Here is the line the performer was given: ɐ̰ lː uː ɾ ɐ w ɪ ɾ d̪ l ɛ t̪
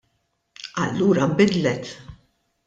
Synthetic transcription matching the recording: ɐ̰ lː uː ɾ ɐ b ɪ d̪ l ɛ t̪